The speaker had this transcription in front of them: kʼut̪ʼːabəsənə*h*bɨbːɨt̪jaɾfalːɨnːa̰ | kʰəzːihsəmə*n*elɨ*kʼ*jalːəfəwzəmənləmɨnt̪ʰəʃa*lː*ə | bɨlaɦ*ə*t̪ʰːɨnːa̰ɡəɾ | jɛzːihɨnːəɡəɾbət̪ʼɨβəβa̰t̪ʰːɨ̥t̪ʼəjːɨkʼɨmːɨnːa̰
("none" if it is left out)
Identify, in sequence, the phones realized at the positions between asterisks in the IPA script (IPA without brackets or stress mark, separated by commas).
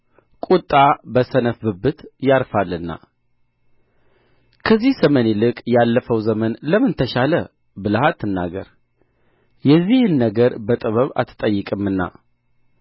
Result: f, n, kʼ, l, a